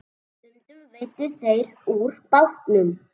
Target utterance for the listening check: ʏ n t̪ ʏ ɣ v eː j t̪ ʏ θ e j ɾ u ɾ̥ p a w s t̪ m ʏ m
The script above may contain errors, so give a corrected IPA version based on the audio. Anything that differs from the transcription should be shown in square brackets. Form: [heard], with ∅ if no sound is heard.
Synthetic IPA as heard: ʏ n t̪ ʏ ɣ v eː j t̪ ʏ θ e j ɾ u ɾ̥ p a w [h] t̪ [n] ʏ m